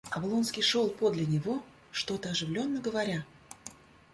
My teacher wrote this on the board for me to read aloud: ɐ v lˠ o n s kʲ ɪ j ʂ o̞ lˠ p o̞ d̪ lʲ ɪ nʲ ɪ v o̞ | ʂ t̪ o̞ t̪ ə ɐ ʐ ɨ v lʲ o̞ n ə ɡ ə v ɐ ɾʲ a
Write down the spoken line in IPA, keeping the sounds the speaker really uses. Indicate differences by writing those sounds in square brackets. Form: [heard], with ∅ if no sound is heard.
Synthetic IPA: ɐ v lˠ o n s kʲ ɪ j ʂ o̞ lˠ p o̞ d̪ lʲ ɪ nʲ ɪ v o̞ | ʂ t̪ o̞ t̪ ə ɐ ʐ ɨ v lʲ o̞ [nː] ə ɡ ə v ɐ ɾʲ a